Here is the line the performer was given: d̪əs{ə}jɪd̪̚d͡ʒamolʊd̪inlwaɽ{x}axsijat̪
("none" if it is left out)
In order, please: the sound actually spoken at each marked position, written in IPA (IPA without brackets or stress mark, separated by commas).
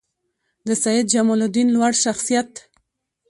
a, ʃ